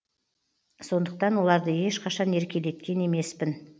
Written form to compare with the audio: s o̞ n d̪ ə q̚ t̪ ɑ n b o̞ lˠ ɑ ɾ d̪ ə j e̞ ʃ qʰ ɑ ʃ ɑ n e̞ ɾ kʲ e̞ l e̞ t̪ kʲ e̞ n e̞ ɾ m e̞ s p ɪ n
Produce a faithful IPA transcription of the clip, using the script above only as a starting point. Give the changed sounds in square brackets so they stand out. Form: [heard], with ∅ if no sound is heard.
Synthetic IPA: s o̞ n d̪ ə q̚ t̪ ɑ n [w] o̞ lˠ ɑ ɾ d̪ ə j e̞ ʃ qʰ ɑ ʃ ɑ n e̞ ɾ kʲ e̞ l e̞ t̪ kʲ e̞ n e̞ [∅] m e̞ s p ɪ n